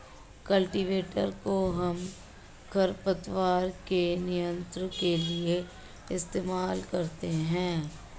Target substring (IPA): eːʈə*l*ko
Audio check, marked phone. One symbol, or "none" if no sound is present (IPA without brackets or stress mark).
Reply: ɾ